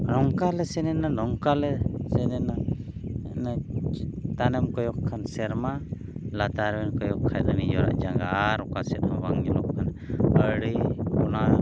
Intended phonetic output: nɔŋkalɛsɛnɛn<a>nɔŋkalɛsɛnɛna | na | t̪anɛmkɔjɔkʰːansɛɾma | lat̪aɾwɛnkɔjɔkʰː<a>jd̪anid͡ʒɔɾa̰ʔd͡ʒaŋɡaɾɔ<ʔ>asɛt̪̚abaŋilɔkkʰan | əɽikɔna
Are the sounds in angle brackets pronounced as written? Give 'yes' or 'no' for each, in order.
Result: yes, yes, no

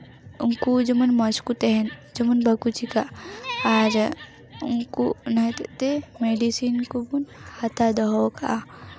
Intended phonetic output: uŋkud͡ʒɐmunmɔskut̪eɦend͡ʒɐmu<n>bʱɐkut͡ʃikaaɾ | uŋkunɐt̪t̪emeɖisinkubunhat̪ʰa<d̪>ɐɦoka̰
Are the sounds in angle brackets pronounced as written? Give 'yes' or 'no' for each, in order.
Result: yes, yes

